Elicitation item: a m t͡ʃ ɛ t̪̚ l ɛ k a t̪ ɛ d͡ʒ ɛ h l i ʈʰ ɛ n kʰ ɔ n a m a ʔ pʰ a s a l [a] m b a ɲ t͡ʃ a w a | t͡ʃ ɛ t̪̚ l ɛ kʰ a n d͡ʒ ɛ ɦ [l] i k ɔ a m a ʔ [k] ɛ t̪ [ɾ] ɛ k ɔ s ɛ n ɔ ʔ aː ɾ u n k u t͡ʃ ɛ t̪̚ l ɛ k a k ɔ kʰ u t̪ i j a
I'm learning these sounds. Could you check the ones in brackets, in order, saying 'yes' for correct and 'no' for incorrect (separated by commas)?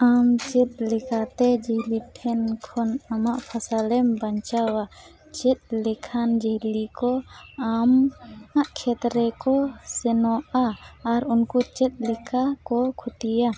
no, yes, no, yes